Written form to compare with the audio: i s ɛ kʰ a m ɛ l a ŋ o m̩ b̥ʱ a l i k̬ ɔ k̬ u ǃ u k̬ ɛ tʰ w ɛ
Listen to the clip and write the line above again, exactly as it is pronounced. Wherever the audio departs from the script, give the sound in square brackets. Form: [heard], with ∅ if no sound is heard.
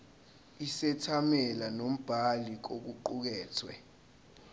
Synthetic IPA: i s ɛ [tʰ] a m ɛ l a [n] o m̩ b̥ʱ a l i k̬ [o] k̬ u ǃ u k̬ [ɛː] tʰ w ɛ